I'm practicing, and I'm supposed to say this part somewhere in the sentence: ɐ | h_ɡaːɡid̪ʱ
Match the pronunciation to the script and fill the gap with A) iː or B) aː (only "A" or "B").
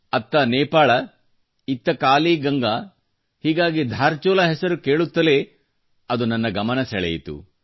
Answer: A